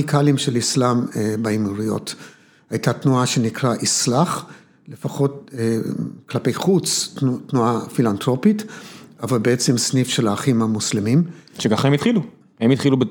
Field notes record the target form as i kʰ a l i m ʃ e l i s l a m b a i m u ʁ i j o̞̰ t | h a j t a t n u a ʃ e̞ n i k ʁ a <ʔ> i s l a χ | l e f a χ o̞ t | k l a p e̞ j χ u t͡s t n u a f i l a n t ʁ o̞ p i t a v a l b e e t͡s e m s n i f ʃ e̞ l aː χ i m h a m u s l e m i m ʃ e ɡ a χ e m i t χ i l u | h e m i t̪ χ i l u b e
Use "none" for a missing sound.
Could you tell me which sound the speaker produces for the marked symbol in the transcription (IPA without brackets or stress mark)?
ʔ